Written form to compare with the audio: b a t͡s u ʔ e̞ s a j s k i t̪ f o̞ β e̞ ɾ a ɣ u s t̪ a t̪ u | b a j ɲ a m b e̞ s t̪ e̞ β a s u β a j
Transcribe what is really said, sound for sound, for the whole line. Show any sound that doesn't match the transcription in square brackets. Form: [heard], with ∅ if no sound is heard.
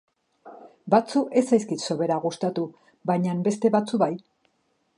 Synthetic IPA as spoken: b a t͡s u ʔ e̞ s a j s k i t̪ [s] o̞ β e̞ ɾ a ɣ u s t̪ a t̪ u | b a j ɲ a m b e̞ s t̪ e̞ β a [t͡s] u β a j